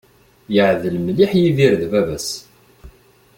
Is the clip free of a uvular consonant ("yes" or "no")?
yes